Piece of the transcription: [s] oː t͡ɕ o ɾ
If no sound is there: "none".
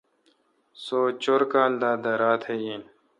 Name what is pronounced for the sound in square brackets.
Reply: s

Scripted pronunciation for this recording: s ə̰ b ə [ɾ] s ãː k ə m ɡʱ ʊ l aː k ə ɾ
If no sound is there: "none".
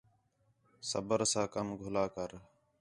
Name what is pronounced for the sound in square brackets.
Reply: ɾ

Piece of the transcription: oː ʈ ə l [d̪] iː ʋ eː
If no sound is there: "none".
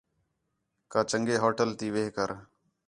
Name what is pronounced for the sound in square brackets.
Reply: t̪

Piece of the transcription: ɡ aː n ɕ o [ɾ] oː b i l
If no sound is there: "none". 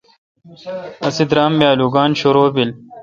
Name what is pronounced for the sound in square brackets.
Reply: ɾ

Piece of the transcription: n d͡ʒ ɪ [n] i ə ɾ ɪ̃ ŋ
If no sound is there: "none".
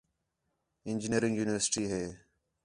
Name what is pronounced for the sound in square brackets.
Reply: n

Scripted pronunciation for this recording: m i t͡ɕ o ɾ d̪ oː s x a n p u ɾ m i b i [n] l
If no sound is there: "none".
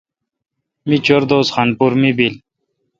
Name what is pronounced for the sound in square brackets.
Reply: none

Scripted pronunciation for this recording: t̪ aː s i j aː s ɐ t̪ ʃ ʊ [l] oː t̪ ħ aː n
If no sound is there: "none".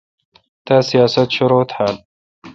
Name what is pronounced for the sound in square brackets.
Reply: ɾ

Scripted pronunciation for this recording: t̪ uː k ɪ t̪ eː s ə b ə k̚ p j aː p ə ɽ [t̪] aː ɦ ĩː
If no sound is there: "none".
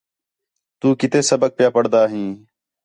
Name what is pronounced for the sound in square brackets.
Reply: d̪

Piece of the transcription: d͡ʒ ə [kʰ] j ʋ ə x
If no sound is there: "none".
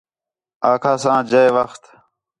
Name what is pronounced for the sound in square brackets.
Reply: none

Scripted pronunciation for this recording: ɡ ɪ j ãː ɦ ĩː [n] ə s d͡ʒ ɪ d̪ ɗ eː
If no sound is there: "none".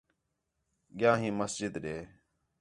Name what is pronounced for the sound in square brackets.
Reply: m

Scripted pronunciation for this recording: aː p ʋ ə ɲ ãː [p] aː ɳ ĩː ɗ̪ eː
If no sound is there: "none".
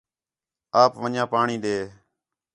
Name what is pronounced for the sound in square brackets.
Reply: p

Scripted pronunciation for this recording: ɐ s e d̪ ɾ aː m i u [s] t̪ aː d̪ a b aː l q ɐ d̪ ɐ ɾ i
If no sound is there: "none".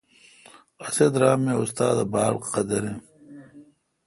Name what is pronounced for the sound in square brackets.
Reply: s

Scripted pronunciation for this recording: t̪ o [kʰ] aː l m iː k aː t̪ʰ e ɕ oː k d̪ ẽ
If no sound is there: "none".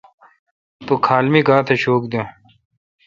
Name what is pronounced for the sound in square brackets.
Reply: kʰ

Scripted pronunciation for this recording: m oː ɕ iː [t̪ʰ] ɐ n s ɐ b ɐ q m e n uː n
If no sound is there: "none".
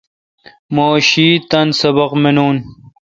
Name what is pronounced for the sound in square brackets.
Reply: t̪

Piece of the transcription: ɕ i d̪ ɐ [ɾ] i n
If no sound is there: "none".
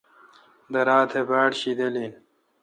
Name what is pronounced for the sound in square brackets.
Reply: l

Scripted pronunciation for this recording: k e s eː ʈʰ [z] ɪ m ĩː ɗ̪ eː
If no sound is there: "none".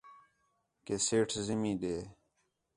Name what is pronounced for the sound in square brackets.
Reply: z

